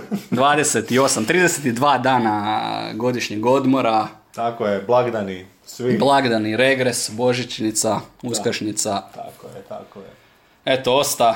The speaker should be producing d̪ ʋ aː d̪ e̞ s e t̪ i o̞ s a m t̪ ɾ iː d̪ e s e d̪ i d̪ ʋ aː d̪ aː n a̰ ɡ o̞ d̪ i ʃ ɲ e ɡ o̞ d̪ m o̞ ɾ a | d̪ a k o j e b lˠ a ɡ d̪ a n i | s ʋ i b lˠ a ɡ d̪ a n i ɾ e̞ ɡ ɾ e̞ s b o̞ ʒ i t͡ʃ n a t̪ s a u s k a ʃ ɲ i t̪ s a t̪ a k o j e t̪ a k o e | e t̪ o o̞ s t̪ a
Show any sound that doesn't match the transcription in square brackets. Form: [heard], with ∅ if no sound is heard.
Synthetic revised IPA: d̪ ʋ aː d̪ e̞ s e t̪ i o̞ s a m t̪ ɾ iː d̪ e s e [t̪] i d̪ ʋ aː d̪ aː n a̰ ɡ o̞ d̪ i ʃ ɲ e ɡ o̞ d̪ m o̞ ɾ a | [t̪] a k o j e b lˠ a ɡ d̪ a n i | s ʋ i b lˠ a ɡ d̪ a n i ɾ e̞ ɡ ɾ e̞ s b o̞ ʒ i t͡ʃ n [i] t̪ s a u s k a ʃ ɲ i t̪ s a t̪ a k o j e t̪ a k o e | e t̪ o o̞ s t̪ a